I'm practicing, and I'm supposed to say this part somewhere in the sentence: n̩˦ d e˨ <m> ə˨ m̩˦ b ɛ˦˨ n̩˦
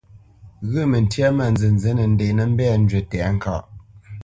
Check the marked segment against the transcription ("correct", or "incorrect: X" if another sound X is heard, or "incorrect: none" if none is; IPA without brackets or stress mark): incorrect: n